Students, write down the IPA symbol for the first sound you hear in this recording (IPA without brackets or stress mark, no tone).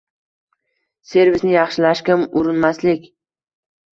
s